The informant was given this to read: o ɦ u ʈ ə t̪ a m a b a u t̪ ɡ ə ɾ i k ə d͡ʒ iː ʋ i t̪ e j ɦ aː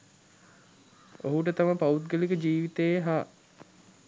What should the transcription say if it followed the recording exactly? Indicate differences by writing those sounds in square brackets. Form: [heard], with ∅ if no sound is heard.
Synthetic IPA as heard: o ɦ u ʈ ə t̪ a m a [p] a u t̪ ɡ ə [l] i k ə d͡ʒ iː ʋ i t̪ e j ɦ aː

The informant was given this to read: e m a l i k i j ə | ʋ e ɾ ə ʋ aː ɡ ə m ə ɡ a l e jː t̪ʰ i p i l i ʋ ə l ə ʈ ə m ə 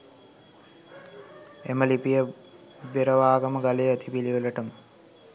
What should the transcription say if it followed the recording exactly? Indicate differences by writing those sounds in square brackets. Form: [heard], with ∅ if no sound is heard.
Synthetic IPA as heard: e m [ə] l i [p] i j ə | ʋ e ɾ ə ʋ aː ɡ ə m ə ɡ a l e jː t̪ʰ i p i l i ʋ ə l ə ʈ ə m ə

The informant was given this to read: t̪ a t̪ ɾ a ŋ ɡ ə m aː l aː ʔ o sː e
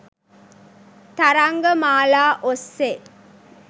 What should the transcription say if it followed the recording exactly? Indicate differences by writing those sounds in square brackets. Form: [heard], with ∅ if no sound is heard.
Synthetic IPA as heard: t̪ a [∅] ɾ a ŋ ɡ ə m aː l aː ʔ o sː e

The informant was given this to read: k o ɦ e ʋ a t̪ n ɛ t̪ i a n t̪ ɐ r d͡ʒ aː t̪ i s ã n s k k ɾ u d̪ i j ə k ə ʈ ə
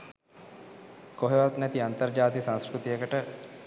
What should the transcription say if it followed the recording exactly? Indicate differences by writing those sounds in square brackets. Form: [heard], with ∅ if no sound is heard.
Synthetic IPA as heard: k o ɦ e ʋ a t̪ n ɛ t̪ i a n t̪ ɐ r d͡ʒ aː t̪ i s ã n s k k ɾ u [t̪] i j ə k ə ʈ ə

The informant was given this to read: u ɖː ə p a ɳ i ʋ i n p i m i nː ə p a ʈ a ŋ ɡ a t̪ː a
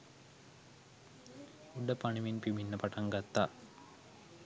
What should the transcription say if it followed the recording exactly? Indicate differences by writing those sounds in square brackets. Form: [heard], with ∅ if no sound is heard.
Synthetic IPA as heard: u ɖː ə p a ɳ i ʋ i n p i m i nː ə p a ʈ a ŋ ɡ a t̪ː a

